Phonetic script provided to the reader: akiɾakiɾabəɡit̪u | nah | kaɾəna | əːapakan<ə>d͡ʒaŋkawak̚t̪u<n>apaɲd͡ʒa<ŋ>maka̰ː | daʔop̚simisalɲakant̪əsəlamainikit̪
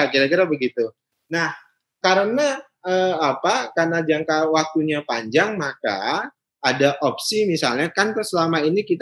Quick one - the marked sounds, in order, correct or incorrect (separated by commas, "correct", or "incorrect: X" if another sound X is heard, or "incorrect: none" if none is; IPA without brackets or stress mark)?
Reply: incorrect: a, incorrect: ɲ, correct